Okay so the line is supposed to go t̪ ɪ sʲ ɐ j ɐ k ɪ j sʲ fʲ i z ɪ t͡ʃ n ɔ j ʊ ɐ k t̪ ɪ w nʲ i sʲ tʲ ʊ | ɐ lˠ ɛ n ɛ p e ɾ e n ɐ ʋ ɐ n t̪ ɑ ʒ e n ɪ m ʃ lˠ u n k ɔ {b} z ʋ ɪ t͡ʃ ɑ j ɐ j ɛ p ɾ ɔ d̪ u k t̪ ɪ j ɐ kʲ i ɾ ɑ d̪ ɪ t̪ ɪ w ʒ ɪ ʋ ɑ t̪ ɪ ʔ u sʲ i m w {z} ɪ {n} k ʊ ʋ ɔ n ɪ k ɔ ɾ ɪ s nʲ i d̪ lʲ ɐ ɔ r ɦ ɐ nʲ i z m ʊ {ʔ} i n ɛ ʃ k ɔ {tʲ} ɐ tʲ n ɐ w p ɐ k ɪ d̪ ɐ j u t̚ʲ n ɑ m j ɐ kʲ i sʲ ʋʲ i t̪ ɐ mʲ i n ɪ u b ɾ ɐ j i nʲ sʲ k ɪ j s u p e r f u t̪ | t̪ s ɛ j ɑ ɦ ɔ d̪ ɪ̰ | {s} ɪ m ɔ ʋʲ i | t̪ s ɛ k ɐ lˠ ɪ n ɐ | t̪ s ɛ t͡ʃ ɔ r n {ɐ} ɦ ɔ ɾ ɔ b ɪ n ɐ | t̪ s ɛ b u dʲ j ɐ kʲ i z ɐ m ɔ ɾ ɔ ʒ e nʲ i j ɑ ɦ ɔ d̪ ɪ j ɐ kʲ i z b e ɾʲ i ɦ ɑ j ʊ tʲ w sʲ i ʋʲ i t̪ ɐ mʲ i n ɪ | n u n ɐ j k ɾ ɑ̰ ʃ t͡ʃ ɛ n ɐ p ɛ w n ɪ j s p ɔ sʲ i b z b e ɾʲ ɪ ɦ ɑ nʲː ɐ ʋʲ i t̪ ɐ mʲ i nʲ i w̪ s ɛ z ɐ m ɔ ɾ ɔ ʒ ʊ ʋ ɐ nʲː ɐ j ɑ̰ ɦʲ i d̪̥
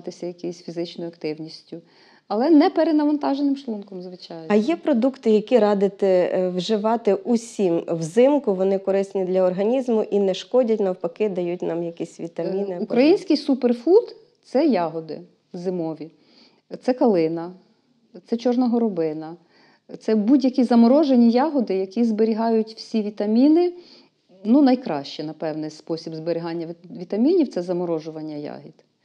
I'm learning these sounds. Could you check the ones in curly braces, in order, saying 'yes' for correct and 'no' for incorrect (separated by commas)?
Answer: no, yes, no, yes, no, no, yes